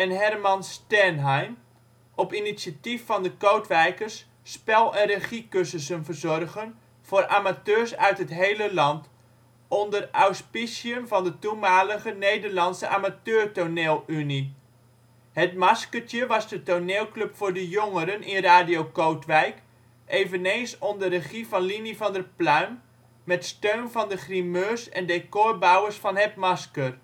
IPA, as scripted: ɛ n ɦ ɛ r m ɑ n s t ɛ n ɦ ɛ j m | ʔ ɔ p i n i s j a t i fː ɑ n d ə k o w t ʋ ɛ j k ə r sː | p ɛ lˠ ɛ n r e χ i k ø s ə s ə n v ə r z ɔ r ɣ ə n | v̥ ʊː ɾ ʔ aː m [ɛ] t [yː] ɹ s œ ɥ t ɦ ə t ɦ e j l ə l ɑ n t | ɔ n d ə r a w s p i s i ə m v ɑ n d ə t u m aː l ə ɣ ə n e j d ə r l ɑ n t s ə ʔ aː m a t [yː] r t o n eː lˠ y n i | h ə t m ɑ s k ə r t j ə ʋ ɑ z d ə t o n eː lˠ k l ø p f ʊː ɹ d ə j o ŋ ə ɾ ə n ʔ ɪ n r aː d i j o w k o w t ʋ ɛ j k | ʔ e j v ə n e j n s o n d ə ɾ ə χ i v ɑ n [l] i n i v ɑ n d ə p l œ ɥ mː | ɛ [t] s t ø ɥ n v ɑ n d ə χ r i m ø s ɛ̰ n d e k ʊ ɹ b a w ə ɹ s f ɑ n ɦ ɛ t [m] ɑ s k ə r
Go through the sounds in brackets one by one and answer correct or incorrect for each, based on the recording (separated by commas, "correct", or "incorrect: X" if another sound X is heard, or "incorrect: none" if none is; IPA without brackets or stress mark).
incorrect: a, incorrect: øː, incorrect: øː, correct, correct, correct